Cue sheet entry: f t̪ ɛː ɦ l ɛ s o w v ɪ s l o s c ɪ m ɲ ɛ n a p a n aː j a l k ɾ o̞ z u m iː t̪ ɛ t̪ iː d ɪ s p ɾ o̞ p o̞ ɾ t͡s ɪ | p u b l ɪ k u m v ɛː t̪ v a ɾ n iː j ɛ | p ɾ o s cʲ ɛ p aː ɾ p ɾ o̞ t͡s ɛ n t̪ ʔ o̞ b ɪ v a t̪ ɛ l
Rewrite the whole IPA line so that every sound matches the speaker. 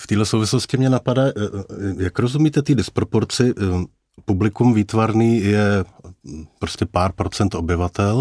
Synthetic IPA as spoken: f t̪ iː ɦ l ɛ s o w v ɪ s l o s c ɪ m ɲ ɛ n a p a d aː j a k ɾ o̞ z u m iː t̪ ɛ t̪ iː d ɪ s p ɾ o̞ p o̞ ɾ t͡s ɪ | p u b l ɪ k u m v iː t̪ v a ɾ n iː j ɛ | p ɾ o s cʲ ɛ p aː ɾ p ɾ o̞ t͡s ɛ n t̪ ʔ o̞ b ɪ v a t̪ ɛ l